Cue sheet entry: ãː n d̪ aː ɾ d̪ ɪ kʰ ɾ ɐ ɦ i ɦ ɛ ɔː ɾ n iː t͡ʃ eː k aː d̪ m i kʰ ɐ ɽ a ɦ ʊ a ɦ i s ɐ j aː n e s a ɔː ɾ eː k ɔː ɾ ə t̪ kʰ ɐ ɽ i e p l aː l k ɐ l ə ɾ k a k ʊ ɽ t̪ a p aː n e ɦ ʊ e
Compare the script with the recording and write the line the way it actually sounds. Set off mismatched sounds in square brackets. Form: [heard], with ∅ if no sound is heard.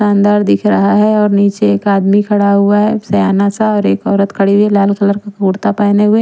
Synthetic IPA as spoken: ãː n d̪ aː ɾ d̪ ɪ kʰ ɾ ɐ ɦ [a] ɦ ɛ ɔː ɾ n iː t͡ʃ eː k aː d̪ m i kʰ ɐ ɽ a ɦ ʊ a ɦ [ɛ] s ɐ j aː n [a] s a ɔː ɾ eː k ɔː ɾ ə t̪ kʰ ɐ ɽ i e [∅] l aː l k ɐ l ə ɾ k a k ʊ ɽ t̪ a p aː n e ɦ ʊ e